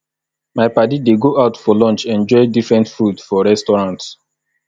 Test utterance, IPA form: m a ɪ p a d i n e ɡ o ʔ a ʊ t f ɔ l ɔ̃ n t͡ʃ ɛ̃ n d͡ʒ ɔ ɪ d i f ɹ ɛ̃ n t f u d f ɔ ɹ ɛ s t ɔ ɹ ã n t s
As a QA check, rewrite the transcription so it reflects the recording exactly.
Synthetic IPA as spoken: m a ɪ p a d i d e ɡ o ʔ a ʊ t f ɔ l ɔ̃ n t͡ʃ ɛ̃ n d͡ʒ ɔ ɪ d i f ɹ ɛ̃ n t f u d f ɔ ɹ ɛ s t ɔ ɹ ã n t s

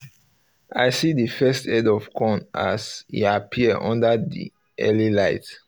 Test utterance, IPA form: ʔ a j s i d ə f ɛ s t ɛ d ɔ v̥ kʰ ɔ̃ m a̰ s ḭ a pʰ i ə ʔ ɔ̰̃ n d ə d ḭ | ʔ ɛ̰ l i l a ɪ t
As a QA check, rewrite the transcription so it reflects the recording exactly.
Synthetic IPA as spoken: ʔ a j s i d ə f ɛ s t ɛ d ɔ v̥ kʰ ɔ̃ n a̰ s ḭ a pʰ i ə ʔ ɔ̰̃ n d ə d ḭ | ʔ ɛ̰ l i l a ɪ t

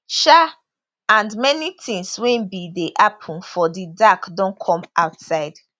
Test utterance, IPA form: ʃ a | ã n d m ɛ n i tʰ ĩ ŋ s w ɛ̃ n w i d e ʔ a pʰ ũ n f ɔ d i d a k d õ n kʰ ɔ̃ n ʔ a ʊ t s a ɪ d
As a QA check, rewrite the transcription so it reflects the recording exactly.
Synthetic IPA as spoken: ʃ a | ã n d m ɛ n i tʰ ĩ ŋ s w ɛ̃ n b i d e ʔ a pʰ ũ n f ɔ d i d a k d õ n kʰ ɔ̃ m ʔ a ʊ t s a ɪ d

